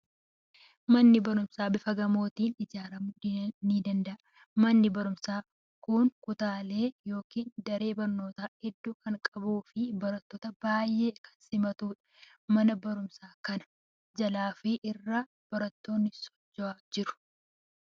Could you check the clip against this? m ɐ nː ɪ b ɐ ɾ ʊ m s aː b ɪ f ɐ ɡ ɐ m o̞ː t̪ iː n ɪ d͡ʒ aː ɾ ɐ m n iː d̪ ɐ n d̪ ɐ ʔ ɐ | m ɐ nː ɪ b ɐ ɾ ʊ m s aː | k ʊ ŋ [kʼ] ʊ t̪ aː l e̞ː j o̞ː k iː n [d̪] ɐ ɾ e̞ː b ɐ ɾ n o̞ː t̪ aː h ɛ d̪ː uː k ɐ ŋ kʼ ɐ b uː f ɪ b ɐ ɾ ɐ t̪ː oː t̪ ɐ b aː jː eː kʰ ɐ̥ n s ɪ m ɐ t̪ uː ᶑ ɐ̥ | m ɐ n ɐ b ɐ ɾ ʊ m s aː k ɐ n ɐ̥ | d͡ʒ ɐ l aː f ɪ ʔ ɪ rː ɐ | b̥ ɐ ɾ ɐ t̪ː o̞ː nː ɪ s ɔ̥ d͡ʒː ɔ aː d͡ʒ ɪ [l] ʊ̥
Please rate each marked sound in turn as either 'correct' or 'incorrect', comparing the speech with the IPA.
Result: incorrect, correct, incorrect

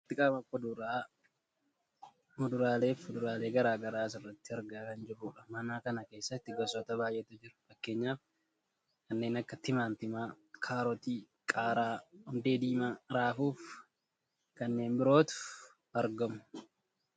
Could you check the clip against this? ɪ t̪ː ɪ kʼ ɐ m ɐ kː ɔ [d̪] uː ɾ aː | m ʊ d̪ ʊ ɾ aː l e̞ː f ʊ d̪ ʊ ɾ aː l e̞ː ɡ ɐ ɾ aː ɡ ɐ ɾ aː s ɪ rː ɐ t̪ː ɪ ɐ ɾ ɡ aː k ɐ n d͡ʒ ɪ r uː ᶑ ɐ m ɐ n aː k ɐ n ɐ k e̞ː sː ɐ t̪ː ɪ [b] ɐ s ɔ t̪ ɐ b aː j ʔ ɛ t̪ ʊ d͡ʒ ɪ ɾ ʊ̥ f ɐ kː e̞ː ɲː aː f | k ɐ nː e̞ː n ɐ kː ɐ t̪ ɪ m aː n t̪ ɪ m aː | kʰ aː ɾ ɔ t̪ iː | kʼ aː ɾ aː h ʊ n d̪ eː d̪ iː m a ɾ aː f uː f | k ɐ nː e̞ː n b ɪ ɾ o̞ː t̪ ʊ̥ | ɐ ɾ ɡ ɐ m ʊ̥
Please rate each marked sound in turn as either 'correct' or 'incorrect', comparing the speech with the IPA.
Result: correct, incorrect

